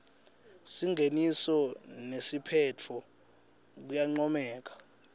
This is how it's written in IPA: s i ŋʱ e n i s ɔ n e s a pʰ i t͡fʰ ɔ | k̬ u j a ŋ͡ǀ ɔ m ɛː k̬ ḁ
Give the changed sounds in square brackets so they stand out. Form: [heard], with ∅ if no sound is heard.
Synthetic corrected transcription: s i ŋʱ e n i s ɔ n e s [i] pʰ [ɛ] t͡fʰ ɔ | k̬ u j a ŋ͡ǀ ɔ m ɛː k̬ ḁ